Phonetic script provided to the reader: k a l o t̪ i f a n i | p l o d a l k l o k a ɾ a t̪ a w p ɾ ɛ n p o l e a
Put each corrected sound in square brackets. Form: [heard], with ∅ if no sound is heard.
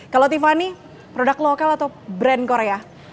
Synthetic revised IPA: k a l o t̪ i f a n i | p [ɾ] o d a [∅] k l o k a [l] a t̪ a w [b] ɾ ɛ n [k] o [ɾ] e a